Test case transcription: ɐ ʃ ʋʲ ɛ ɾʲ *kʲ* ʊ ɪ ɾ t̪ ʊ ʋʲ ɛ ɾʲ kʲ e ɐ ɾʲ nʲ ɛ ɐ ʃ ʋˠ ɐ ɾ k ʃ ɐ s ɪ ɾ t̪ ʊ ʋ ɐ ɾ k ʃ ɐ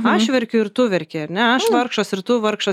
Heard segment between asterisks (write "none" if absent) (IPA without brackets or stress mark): kʲ